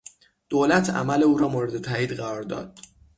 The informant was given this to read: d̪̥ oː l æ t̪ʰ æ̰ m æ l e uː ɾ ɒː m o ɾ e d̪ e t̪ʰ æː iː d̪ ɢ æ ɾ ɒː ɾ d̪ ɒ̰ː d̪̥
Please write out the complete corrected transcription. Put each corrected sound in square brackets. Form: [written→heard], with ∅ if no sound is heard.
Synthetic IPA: d̪̥ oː l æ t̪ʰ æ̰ m æ l e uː ɾ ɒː m o ɾ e d̪ e t̪ʰ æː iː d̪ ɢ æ ɾ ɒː ɾ d̪ ɒ̰ː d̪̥

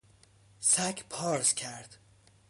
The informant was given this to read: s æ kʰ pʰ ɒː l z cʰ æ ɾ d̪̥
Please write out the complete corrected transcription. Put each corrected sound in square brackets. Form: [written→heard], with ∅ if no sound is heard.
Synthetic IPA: s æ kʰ pʰ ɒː [l→ɾ] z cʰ æ ɾ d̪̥

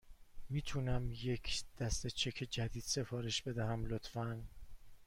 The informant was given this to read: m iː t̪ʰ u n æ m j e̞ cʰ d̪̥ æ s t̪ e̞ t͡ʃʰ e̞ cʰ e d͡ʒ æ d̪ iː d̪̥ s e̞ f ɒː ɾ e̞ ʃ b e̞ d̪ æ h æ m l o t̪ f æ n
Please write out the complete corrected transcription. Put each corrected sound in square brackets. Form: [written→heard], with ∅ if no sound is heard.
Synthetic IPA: m iː t̪ʰ u n æ m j e̞ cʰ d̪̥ æ s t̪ e̞ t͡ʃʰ e̞ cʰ e d͡ʒ æ d̪ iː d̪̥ s e̞ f ɒː ɾ e̞ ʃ b e̞ d̪ æ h æ m l o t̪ f æ n

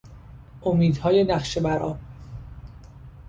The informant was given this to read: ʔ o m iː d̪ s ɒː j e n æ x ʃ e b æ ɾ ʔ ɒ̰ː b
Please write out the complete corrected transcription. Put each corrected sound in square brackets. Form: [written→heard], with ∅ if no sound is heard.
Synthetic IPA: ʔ o m iː d̪ [s→h] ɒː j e n æ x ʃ e b æ ɾ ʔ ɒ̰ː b

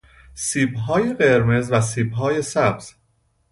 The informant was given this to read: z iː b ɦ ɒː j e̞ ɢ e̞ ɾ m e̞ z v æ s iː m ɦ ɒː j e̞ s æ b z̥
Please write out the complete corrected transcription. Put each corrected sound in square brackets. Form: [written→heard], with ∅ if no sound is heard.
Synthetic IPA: [z→s] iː b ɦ ɒː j e̞ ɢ e̞ ɾ m e̞ z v æ s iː [m→b] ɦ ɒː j e̞ s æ b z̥

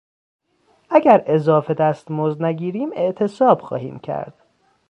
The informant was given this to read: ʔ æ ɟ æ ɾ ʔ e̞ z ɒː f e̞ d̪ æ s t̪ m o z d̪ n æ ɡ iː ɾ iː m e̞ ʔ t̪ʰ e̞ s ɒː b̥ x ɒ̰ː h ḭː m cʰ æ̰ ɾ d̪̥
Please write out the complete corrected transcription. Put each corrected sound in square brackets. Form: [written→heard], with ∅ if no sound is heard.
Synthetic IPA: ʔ æ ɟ æ ɾ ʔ e̞ z ɒː f e̞ d̪ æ s t̪ m o z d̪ n æ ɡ iː ɾ iː m e̞ ʔ t̪ʰ e̞ s ɒː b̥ x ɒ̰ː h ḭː m cʰ æ̰ ɾ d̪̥

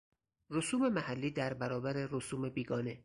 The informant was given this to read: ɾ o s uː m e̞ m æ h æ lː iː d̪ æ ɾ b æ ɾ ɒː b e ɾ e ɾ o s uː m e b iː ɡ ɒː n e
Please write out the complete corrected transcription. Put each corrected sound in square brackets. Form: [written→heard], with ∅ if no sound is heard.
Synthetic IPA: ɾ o s uː m e̞ m æ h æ lː iː d̪ æ ɾ b æ ɾ ɒː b [e→æ] ɾ e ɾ o s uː m e b iː ɡ ɒː n e

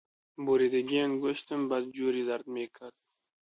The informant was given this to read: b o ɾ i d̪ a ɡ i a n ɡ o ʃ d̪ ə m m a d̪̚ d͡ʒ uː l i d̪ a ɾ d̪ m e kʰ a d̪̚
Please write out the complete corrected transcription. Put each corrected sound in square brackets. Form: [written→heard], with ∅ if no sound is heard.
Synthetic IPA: b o ɾ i d̪ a ɡ i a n ɡ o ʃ [d̪→t̪] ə m [m→b] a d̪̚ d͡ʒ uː [l→ɾ] i d̪ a ɾ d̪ m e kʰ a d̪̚

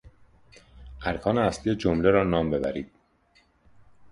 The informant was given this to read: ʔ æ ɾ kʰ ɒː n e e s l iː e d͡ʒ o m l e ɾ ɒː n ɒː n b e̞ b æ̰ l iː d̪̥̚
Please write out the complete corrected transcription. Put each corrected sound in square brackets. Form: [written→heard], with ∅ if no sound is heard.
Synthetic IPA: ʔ æ ɾ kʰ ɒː n e [e→æ] s l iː e d͡ʒ o m l e ɾ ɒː n ɒː [n→m] b e̞ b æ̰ [l→ɾ] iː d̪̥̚

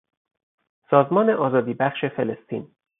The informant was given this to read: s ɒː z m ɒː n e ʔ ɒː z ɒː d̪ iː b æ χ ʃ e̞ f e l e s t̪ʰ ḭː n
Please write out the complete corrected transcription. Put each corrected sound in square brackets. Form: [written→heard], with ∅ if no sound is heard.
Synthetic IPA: s ɒː z m ɒː n e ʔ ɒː z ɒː d̪ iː b æ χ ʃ e̞ f e l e s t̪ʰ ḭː n

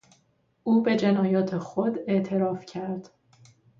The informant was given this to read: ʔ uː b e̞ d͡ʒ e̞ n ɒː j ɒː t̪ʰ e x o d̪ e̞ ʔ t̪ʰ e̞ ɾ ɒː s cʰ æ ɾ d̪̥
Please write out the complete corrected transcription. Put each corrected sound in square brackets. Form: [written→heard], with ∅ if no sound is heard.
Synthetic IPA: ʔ uː b e̞ d͡ʒ e̞ n ɒː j ɒː t̪ʰ e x o d̪ e̞ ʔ t̪ʰ e̞ ɾ ɒː [s→f] cʰ æ ɾ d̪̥

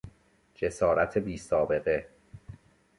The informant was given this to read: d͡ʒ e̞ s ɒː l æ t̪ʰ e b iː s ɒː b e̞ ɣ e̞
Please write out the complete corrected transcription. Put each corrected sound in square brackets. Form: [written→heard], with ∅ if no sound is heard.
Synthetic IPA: d͡ʒ e̞ s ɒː [l→ɾ] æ t̪ʰ e b iː s ɒː b e̞ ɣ e̞

